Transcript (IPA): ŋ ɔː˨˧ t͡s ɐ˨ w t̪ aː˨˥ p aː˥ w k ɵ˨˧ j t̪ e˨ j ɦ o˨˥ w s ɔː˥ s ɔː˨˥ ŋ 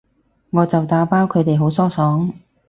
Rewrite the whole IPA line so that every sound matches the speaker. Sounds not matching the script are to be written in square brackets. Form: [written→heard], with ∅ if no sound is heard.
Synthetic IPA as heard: ŋ ɔː˨˧ t͡s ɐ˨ w t̪ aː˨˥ p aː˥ w [k→kʰ] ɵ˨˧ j t̪ e˨ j ɦ o˨˥ w s ɔː˥ s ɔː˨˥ ŋ